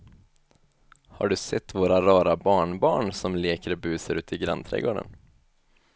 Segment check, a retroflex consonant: present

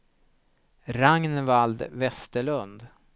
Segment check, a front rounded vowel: absent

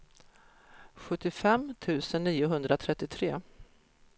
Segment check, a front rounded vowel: absent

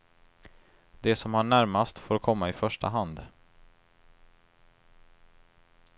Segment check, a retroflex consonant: present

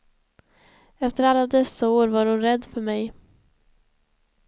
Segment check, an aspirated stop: absent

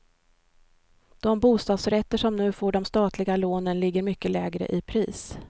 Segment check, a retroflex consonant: present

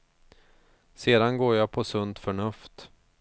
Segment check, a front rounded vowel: present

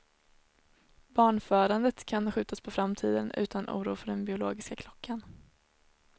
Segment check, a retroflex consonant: present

